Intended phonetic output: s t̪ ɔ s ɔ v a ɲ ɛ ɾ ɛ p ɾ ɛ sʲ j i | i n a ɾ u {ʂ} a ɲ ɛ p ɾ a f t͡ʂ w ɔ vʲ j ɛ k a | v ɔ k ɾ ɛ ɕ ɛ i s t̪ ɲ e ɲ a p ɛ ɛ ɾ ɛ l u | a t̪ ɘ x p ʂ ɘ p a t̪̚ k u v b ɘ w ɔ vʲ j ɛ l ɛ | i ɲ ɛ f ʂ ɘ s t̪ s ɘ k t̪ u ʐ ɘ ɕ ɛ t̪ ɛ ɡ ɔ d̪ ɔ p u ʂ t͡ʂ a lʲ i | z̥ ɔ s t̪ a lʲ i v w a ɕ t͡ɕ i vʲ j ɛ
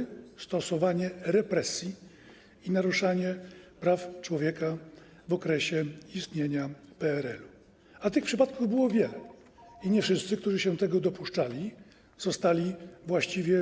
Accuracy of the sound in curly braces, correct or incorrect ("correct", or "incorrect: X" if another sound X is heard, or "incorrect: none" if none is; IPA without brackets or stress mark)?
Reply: correct